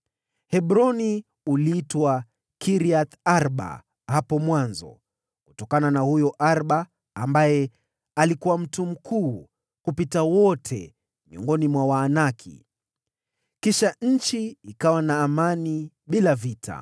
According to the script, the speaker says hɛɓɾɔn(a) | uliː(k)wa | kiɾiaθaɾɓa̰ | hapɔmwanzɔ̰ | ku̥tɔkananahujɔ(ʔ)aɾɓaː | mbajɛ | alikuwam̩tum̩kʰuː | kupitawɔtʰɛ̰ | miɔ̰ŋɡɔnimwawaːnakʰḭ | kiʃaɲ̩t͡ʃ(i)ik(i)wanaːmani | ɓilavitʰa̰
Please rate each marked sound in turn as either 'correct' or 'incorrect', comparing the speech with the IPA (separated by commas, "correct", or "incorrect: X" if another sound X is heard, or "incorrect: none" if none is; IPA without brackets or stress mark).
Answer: incorrect: i, incorrect: t, correct, correct, incorrect: a